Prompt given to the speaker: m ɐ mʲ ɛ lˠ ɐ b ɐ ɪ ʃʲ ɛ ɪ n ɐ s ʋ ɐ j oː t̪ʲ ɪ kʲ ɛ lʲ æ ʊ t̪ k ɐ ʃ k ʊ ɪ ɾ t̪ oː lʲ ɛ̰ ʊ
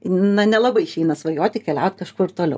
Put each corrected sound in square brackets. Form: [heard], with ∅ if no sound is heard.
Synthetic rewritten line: [n] ɐ [nʲ] ɛ lˠ ɐ b ɐ ɪ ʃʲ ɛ ɪ n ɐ s ʋ ɐ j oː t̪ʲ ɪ kʲ ɛ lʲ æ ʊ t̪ k ɐ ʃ k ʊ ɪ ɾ t̪ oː lʲ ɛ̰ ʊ